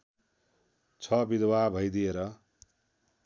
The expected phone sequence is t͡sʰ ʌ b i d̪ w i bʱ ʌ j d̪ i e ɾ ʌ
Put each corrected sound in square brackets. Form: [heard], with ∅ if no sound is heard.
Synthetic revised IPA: t͡sʰ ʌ b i d̪ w [a] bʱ ʌ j d̪ i e ɾ ʌ